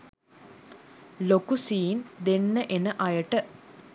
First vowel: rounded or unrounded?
rounded